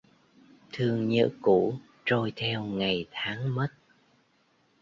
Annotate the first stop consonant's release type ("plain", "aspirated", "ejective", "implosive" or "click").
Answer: aspirated